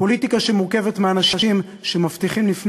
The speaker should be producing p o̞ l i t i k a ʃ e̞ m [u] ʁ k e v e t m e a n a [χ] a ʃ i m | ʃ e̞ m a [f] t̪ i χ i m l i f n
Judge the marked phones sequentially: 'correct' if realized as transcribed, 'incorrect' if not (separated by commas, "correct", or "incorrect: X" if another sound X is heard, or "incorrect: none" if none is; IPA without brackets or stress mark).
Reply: correct, incorrect: ʃ, correct